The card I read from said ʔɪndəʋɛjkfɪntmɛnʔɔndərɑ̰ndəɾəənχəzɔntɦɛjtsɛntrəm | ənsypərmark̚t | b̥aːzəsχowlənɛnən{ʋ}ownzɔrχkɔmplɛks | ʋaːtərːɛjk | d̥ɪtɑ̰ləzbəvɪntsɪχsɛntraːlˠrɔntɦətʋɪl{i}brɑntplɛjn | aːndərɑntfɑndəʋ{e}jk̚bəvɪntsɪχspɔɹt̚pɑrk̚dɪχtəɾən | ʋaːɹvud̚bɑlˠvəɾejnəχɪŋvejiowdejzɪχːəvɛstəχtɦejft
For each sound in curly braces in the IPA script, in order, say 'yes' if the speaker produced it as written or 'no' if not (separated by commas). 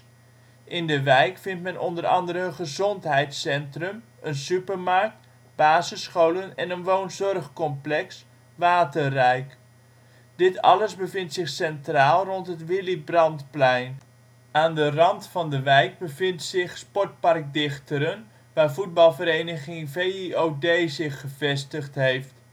yes, yes, no